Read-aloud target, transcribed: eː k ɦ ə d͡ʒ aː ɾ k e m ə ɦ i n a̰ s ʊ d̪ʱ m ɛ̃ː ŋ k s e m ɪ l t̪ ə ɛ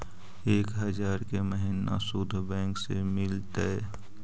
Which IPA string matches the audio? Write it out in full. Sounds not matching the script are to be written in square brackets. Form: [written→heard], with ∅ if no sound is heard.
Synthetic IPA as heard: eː k ɦ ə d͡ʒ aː ɾ k e m ə ɦ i n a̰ s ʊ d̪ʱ [m→b] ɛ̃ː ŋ k s e m ɪ l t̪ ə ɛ